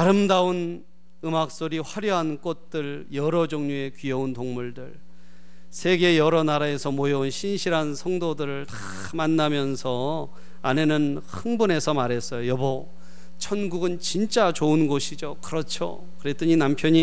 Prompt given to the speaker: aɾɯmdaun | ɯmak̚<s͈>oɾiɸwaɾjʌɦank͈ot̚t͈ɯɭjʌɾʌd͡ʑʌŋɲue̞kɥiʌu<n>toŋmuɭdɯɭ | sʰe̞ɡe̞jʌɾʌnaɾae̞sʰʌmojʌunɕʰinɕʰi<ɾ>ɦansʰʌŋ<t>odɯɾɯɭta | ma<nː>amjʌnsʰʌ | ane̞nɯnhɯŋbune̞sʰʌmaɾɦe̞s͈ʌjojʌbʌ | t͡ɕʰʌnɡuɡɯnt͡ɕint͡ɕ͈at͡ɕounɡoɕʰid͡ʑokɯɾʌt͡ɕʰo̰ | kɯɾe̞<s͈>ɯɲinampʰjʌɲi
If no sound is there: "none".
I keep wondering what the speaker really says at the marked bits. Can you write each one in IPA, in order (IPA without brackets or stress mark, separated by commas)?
s͈, n, ɾ, d, nː, t͈